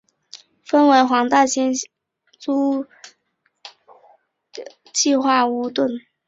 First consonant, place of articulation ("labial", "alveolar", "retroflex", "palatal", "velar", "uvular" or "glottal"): labial